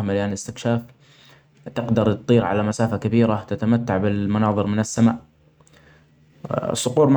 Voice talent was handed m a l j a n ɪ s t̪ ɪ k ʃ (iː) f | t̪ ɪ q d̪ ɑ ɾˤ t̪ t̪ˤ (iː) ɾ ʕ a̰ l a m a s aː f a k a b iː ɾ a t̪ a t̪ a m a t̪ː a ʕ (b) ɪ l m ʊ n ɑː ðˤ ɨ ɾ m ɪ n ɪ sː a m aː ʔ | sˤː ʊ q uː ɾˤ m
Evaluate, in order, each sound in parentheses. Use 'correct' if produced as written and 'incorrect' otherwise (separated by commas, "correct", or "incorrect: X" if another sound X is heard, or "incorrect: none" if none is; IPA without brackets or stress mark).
incorrect: aː, correct, correct